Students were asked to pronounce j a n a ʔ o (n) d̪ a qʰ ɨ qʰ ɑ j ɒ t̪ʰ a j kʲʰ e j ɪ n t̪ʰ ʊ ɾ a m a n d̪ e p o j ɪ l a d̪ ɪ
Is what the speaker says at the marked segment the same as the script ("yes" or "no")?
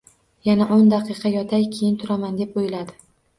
yes